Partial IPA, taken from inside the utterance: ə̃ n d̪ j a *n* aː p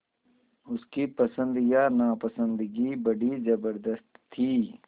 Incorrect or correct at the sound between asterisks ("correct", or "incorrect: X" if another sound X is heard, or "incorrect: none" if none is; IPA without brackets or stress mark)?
correct